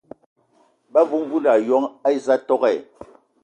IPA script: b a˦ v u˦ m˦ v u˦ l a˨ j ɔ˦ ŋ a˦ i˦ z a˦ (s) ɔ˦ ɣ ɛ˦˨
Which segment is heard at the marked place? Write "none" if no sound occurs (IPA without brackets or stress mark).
t